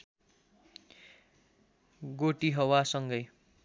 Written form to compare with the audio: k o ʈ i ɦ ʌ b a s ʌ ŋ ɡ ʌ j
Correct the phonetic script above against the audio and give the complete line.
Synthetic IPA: ɡ o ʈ i ɦ ʌ w a s ʌ ŋ ɡ ʌ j

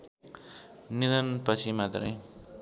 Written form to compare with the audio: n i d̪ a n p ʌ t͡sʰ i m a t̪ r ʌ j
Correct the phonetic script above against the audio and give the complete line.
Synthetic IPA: n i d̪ ʌ n p ʌ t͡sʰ i m a t̪ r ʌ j

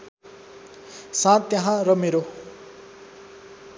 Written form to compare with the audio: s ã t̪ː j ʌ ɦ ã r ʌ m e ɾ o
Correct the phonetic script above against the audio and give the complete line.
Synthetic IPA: s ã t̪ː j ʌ ɦ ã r ʌ m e ɾ o

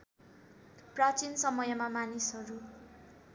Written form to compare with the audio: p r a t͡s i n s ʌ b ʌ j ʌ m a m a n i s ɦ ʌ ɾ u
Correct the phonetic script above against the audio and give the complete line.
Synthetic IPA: p r a t͡s i n s ʌ m ʌ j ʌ m a m a n i s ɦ ʌ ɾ u

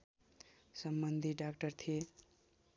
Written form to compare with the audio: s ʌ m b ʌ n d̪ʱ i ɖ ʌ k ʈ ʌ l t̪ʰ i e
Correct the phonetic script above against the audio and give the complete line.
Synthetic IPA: s ʌ m b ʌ n d̪ʱ i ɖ a k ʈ ʌ r t̪ʰ i e

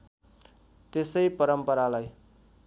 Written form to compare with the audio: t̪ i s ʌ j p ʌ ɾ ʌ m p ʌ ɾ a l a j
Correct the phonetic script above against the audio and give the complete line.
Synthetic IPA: t̪ e s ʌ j p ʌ ɾ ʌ m p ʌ ɾ a l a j

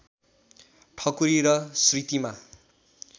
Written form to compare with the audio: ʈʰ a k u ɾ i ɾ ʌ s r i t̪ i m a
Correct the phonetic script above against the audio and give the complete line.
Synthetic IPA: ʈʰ ʌ k u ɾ i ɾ ʌ s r i t̪ i m a

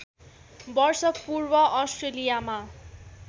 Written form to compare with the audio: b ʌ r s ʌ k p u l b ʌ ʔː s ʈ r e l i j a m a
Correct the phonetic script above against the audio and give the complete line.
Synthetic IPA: b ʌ r s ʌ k p u r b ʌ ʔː s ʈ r e l i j a m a

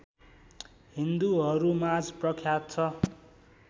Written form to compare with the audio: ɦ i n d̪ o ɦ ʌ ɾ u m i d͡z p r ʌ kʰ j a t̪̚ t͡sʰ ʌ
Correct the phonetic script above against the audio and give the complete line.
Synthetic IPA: ɦ i n d̪ u ɦ ʌ ɾ u m a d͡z p r ʌ kʰ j a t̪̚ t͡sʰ ʌ

